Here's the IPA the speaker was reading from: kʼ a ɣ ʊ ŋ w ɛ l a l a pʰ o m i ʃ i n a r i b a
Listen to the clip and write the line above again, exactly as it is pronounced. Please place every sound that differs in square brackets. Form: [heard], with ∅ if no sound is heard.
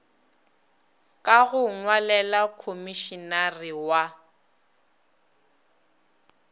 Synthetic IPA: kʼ a ɣ ʊ ŋ w [a] l [ɛ] l a [kʰ] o m i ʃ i n a r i [w] a

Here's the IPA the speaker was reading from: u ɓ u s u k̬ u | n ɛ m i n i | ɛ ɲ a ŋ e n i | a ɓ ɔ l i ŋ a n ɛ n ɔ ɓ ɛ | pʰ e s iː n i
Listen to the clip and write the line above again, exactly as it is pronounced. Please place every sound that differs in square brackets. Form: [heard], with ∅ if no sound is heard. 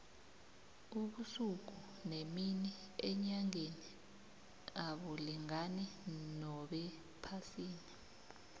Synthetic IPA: u ɓ u s u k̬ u | n [e] m i n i | ɛ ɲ a ŋ e n i | a ɓ ɔ l i ŋ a n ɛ n ɔ ɓ ɛ | pʰ [a] s iː n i

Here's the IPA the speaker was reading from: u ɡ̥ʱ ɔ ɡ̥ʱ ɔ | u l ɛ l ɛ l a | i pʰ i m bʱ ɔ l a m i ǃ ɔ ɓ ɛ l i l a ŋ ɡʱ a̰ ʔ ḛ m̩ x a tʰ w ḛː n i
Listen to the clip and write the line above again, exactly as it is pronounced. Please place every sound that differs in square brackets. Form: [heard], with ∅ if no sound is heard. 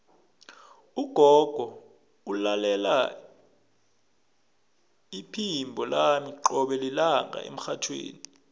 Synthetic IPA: u ɡ̥ʱ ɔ ɡ̥ʱ ɔ | u l [a] l ɛ l a | i pʰ i m bʱ ɔ l a m i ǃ ɔ ɓ ɛ l i l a ŋ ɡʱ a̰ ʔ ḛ m̩ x a tʰ w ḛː n i

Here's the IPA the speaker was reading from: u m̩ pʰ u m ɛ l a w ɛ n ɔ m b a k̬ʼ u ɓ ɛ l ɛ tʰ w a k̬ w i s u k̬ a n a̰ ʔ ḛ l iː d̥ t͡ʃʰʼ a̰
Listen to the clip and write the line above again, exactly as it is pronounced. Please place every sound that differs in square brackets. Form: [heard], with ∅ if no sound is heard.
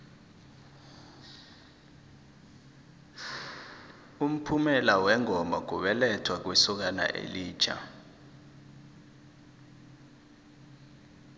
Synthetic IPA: u m̩ pʰ u m ɛ l a w ɛ [ŋ] ɔ m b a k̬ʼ u ɓ ɛ l ɛ tʰ w a k̬ w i s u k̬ a n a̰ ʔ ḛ l iː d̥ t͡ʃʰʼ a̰

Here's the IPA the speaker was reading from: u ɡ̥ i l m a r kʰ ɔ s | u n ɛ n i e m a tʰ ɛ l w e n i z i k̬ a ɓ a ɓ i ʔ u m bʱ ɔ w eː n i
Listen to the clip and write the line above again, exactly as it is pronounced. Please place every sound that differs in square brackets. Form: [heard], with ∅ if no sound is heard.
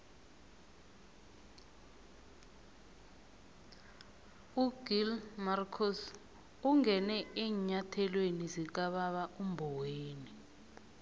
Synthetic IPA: u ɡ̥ i l m a r kʰ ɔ s | u [ŋ] ɛ n [ɛ] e [ɲ] a tʰ ɛ l w e n i z i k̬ a ɓ a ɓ [a] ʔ u m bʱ ɔ w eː n i

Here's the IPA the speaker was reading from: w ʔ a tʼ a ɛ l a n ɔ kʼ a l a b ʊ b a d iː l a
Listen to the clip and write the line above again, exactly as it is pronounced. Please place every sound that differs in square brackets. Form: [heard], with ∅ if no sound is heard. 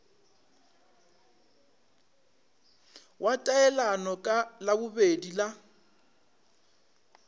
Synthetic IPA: w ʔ a tʼ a ɛ l a n ɔ kʼ a l a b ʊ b [e] d [i] l a

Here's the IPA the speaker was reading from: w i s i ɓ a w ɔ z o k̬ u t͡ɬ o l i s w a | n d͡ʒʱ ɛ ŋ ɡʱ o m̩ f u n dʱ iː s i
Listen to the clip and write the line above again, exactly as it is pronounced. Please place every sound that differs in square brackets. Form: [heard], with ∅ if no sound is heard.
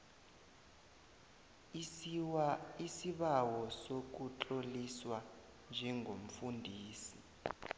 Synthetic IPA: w i s i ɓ a w ɔ [s] o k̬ u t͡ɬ o l i s w a | n d͡ʒʱ ɛ ŋ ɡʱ o m̩ f u n dʱ iː s i

